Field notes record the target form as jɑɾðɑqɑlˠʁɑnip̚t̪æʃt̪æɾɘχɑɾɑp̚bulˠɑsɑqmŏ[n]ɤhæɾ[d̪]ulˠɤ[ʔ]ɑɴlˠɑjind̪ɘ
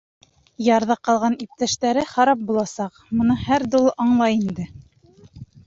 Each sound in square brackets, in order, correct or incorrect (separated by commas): correct, correct, correct